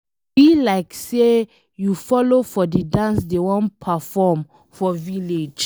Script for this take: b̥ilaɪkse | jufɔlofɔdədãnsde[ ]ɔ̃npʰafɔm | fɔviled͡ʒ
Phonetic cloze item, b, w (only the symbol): w